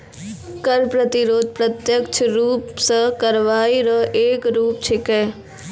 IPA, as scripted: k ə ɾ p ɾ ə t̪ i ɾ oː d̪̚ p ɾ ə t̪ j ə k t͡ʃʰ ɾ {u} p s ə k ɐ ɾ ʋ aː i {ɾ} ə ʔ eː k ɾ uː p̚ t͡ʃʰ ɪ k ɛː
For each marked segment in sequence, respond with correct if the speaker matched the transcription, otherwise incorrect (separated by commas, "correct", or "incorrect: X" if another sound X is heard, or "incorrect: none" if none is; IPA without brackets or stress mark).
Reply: incorrect: uː, correct